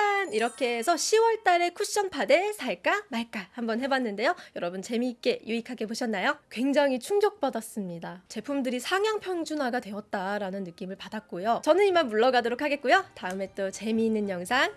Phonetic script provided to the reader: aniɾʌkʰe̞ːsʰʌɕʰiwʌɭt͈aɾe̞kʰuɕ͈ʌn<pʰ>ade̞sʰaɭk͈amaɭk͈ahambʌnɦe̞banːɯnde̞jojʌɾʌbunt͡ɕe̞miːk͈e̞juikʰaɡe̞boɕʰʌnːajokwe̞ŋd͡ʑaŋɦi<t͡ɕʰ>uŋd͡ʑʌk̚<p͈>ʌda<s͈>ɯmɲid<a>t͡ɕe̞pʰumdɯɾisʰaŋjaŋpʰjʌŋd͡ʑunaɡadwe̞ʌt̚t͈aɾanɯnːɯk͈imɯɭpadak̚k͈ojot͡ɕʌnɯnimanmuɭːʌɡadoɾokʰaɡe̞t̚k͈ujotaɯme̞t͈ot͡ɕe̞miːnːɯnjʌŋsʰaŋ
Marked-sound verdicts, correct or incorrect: correct, correct, correct, correct, correct

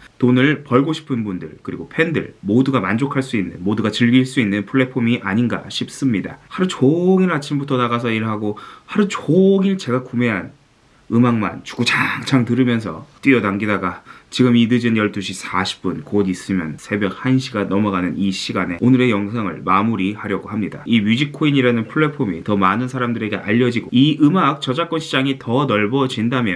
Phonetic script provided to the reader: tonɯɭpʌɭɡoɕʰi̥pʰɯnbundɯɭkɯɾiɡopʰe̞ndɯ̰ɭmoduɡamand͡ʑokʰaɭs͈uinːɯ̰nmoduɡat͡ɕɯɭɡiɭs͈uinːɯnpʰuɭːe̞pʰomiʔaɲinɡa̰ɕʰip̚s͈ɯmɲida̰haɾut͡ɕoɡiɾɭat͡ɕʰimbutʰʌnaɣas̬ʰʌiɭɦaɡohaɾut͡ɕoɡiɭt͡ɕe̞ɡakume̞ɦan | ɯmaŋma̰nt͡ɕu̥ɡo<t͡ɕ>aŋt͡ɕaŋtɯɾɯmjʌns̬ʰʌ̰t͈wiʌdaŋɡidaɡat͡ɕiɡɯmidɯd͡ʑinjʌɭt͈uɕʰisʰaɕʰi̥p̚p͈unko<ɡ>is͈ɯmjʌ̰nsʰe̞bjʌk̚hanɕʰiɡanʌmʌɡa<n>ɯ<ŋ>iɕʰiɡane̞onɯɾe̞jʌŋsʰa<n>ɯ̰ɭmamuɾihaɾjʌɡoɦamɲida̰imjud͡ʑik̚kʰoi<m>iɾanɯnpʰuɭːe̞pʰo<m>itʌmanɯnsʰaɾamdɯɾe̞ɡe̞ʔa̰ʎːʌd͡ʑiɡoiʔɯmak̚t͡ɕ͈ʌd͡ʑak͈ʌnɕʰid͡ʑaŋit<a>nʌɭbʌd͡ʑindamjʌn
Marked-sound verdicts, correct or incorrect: correct, incorrect, correct, incorrect, incorrect, incorrect, correct, incorrect

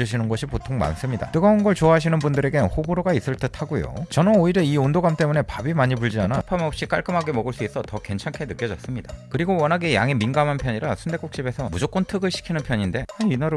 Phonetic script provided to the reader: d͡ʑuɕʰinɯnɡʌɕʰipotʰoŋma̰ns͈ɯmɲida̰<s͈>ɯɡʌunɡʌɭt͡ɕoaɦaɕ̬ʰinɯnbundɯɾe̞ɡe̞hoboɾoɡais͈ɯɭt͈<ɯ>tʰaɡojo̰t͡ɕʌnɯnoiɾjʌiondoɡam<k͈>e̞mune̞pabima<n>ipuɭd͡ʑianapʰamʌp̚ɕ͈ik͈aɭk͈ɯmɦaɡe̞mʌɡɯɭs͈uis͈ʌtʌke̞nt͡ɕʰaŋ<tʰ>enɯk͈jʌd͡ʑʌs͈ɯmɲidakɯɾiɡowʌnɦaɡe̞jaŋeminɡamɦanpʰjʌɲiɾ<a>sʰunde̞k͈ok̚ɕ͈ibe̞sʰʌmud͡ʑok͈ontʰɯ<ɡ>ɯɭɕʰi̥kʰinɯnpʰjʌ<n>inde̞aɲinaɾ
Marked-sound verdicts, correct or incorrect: incorrect, correct, incorrect, incorrect, incorrect, correct, correct, incorrect

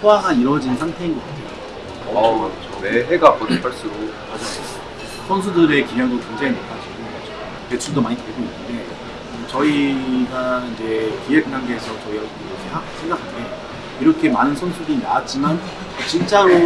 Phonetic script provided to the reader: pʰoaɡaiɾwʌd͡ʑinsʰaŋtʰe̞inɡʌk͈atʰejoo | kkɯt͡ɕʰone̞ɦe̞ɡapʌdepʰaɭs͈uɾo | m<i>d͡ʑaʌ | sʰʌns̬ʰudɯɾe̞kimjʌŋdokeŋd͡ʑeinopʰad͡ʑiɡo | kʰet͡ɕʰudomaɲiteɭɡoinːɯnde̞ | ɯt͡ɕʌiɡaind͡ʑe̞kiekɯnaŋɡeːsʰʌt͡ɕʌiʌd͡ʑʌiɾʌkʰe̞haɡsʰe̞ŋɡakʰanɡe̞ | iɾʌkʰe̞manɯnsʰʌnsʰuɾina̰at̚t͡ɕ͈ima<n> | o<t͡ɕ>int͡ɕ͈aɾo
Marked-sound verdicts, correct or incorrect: incorrect, correct, correct

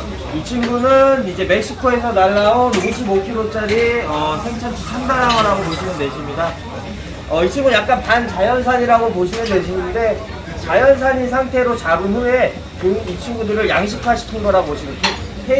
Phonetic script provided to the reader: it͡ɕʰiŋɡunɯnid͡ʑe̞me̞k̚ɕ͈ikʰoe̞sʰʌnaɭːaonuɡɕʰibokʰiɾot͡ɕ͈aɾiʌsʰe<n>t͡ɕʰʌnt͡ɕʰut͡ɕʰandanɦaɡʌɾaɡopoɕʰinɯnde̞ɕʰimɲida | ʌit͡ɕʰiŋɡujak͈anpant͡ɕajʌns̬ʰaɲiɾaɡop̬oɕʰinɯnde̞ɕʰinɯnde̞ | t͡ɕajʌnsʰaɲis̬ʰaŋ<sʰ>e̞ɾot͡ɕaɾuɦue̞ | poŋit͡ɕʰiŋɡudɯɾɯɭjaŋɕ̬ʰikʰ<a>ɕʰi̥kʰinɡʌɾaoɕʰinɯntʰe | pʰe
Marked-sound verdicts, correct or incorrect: incorrect, incorrect, correct

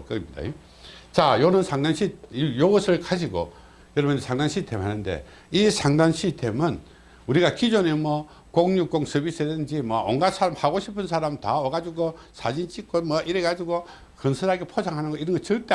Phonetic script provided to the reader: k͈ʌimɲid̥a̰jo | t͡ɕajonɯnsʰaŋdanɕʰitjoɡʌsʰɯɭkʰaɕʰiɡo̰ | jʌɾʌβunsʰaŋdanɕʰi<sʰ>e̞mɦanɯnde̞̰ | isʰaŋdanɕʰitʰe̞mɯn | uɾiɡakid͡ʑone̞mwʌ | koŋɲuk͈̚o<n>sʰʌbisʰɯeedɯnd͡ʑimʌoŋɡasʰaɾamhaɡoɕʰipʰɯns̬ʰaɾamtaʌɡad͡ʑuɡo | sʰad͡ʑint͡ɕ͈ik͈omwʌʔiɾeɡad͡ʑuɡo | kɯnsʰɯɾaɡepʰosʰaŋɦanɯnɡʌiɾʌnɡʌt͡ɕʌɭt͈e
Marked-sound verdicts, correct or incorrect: incorrect, incorrect

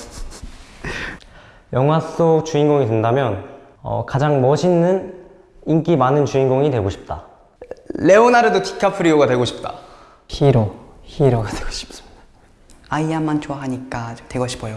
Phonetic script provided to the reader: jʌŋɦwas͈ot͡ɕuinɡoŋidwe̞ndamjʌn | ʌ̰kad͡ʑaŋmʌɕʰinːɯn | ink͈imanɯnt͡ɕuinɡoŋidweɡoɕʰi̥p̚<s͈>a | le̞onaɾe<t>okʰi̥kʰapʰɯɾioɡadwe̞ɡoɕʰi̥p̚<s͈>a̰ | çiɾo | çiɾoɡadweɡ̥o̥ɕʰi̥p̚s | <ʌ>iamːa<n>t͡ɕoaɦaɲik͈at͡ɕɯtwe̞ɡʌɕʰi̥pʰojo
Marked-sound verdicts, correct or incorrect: incorrect, incorrect, incorrect, incorrect, correct

